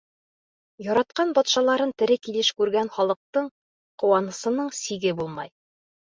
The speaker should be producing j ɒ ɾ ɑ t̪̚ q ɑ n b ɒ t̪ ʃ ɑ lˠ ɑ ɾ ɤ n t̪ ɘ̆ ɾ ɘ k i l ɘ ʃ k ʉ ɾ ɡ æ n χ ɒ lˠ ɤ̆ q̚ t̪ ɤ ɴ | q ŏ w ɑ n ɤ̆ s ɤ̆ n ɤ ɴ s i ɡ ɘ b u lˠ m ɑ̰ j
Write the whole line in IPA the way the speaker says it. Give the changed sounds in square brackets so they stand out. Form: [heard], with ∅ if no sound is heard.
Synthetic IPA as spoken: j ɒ ɾ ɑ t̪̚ q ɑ n b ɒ t̪ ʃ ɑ lˠ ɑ ɾ ɤ n t̪ ɘ̆ ɾ ɘ k i l ɘ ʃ k ʉ ɾ ɡ æ n χ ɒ lˠ ɤ̆ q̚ t̪ ɤ ɴ | q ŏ w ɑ n ɤ̆ s ɤ̆ n ɤ ɴ s i ɡ ɘ b u lˠ m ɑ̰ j